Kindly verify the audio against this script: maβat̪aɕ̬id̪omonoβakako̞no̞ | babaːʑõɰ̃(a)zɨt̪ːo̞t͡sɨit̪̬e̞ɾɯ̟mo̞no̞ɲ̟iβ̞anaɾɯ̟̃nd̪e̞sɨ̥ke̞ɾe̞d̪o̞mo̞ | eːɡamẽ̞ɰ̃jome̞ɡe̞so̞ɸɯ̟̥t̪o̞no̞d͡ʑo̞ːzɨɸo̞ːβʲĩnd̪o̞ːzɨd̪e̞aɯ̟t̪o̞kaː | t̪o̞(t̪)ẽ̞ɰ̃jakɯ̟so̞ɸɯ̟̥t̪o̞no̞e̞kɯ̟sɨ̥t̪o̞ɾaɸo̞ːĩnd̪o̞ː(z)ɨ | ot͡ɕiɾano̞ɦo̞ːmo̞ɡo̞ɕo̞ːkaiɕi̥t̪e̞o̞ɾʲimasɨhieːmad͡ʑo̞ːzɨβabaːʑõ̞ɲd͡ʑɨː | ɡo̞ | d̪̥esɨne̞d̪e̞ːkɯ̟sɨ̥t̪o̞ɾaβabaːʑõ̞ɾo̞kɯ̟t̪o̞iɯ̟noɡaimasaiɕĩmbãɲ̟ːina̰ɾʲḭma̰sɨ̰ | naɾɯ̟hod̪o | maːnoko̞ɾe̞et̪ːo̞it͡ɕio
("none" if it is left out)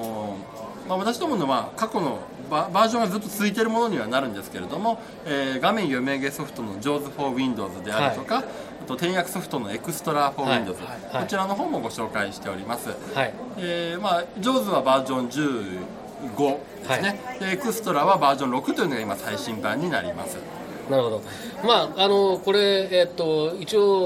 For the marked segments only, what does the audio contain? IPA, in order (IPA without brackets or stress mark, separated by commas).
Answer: a, t̪, z